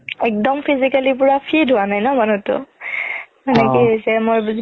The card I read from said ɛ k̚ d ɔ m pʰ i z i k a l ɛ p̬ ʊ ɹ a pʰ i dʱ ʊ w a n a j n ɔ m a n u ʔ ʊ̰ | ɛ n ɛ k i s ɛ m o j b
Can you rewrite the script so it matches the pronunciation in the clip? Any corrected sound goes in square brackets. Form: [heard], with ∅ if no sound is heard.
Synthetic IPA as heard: ɛ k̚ d ɔ m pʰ i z i k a l [i] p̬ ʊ ɹ a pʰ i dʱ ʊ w a n a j n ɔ m a n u [t] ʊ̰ | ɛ n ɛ k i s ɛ m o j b